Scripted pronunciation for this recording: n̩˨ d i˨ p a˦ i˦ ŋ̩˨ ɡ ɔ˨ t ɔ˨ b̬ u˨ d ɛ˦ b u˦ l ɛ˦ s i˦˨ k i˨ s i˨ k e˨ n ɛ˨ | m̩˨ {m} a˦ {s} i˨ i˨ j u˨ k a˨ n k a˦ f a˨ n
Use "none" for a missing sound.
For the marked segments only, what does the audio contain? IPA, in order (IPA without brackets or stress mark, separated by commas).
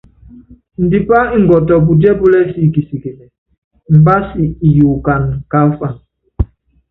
b, s